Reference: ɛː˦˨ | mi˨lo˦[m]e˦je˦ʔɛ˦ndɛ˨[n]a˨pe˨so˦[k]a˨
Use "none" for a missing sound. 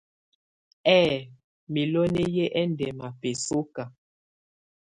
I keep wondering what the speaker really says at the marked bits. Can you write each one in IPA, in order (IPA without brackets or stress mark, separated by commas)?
n, m, k